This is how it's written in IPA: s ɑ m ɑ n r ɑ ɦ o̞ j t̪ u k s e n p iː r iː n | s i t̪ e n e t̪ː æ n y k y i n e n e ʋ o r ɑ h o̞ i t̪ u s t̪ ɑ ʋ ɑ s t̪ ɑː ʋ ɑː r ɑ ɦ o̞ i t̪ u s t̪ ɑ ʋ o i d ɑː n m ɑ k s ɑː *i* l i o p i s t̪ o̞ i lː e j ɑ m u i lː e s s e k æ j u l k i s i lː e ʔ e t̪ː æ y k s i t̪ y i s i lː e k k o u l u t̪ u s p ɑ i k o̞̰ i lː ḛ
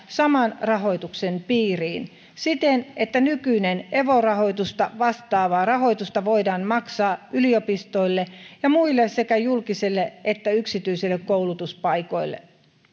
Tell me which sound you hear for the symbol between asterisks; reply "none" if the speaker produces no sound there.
y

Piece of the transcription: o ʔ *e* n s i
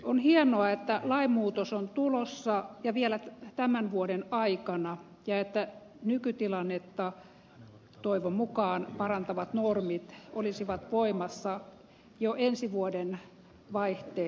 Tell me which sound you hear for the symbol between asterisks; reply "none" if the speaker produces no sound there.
e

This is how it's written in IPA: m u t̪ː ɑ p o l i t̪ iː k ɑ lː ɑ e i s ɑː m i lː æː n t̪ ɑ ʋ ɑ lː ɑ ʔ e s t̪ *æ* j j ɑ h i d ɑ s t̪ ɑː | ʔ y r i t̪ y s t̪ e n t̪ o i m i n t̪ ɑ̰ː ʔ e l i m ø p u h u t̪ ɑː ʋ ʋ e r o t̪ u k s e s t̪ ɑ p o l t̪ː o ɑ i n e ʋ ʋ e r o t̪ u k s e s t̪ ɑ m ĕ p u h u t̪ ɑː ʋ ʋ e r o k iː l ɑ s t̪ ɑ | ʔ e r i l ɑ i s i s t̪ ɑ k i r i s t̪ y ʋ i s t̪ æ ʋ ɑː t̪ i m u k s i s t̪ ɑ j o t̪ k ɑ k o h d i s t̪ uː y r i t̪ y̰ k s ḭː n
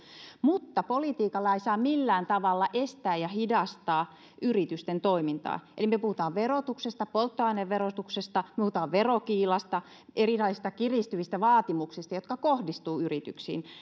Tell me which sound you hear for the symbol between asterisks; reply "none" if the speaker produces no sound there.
æː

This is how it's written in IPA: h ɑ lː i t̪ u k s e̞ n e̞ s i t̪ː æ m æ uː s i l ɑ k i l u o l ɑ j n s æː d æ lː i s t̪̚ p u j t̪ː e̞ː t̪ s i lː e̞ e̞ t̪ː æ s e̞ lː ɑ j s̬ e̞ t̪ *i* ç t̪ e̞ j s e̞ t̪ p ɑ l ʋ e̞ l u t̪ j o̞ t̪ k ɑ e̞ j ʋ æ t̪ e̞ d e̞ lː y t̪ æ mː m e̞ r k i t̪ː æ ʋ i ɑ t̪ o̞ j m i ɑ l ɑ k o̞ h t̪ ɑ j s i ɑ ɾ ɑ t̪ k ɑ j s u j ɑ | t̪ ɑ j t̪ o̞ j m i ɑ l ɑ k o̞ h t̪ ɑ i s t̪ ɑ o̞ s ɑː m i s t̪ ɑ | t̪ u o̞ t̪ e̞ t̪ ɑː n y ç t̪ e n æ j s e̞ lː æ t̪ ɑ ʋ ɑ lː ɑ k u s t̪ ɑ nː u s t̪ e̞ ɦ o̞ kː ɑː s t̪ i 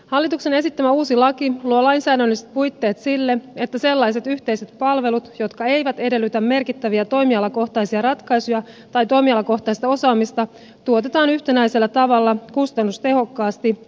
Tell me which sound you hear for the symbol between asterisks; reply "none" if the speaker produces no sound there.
y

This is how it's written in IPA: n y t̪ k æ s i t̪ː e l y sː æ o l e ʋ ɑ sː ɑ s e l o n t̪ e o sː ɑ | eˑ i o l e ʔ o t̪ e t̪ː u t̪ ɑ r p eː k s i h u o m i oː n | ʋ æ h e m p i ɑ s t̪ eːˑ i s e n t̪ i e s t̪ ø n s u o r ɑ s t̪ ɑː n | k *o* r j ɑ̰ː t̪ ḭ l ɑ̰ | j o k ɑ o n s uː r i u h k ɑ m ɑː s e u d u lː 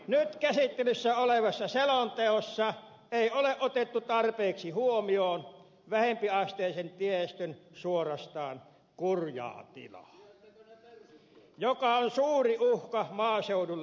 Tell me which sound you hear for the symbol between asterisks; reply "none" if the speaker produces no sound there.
u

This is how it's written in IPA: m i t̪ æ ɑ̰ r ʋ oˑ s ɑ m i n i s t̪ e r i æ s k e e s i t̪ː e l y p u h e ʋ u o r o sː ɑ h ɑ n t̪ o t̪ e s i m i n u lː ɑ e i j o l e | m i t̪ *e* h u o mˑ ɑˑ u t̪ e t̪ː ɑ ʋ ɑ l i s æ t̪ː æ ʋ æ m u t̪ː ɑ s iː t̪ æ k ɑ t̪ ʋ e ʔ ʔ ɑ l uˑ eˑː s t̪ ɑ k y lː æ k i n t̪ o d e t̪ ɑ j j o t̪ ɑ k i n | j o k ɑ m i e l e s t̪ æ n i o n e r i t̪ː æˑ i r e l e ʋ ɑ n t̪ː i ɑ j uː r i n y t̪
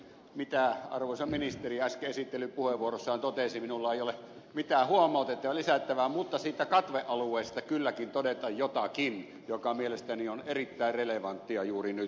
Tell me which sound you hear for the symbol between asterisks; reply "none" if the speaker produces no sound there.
æ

